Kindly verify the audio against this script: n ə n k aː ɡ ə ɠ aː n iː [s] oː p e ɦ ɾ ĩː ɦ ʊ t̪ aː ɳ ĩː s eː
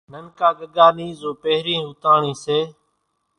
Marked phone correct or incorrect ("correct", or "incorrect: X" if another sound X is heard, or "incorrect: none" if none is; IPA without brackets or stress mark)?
incorrect: z